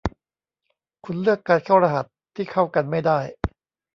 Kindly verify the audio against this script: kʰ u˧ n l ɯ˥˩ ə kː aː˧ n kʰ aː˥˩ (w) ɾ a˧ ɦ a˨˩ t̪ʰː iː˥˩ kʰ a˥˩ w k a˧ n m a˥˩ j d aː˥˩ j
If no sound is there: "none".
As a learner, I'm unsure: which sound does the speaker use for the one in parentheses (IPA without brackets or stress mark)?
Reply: w